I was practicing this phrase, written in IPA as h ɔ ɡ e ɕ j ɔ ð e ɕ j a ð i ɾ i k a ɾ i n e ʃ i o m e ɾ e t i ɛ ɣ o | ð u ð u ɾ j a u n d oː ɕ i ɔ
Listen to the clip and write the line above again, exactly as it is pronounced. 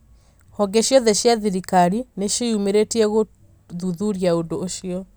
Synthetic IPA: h ɔ ɡ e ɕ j ɔ ð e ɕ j a ð i ɾ i k a ɾ i n e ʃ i u m e ɾ e t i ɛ ɣ o | ð u ð u ɾ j a o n d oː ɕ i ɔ